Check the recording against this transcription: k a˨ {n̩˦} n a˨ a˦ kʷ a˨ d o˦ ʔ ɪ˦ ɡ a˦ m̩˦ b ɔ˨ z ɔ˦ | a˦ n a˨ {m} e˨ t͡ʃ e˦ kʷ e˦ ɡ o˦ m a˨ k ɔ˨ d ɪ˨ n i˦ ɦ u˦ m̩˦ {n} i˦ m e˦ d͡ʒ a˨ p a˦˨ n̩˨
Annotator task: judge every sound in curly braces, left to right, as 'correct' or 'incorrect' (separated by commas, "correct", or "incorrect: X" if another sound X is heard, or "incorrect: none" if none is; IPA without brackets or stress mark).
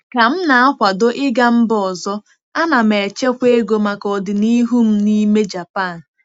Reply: incorrect: m̩˦, correct, correct